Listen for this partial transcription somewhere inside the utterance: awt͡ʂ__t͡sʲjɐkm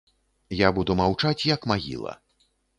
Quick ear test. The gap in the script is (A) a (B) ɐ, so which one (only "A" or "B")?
A